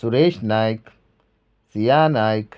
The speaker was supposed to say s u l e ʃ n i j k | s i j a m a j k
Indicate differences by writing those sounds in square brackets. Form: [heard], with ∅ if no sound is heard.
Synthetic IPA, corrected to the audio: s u [ɾ] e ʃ n [a] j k | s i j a [n] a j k